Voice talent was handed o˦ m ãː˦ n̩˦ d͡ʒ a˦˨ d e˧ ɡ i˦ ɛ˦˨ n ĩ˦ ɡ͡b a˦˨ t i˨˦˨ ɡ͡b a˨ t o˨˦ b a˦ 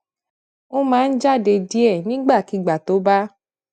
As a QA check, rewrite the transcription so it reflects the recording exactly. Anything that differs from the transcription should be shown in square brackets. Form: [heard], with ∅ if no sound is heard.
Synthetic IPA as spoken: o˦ m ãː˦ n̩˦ d͡ʒ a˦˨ d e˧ [d] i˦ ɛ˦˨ n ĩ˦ ɡ͡b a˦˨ [k] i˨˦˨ ɡ͡b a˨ t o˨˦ b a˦